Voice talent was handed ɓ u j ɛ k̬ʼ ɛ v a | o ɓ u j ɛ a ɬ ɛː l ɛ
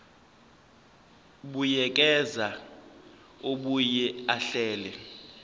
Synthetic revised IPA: ɓ u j ɛ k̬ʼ ɛ z a | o ɓ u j ɛ a ɬ ɛː l ɛ